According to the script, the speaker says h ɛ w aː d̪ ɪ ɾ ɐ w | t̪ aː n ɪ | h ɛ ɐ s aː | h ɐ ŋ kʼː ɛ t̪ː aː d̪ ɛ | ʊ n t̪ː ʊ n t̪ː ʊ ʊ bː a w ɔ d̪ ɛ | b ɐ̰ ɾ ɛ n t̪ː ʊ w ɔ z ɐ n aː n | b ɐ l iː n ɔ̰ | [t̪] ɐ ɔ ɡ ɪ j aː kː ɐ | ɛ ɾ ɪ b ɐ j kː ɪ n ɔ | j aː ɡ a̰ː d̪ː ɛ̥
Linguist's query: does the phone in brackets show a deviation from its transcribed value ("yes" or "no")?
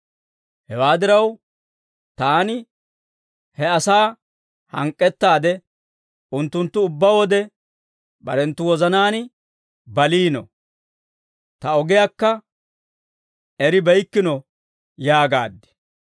no